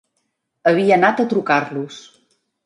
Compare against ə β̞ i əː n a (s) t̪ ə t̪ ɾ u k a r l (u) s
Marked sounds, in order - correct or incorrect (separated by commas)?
incorrect, correct